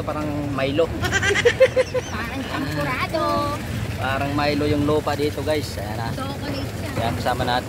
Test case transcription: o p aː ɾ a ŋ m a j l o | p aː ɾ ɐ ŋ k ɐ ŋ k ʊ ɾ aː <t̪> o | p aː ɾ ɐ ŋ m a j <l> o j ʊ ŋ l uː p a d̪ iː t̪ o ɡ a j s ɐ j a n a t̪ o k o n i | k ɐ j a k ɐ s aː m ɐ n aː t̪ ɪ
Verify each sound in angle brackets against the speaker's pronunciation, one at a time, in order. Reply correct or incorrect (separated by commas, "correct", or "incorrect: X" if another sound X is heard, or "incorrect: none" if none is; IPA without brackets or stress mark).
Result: incorrect: d̪, correct